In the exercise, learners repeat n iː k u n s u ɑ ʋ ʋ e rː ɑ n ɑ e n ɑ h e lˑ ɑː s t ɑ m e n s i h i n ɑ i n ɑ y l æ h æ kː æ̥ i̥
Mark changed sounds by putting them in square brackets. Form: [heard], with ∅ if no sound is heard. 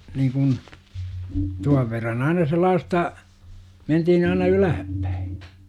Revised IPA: n iː k u n [t] u ɑ ʋ ʋ e rː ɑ n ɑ [i] n ɑ [s] e lˑ ɑː s t ɑ m e n [t] i h i n ɑ i n ɑ y l æ h æ [pː] æ̥ i̥